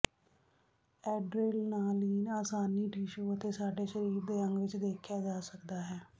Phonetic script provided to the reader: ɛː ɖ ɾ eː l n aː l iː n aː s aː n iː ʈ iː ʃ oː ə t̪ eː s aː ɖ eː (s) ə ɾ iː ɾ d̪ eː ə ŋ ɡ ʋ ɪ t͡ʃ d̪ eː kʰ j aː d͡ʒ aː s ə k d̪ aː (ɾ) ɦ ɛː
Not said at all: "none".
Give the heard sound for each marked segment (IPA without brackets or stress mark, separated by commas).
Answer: ʃ, none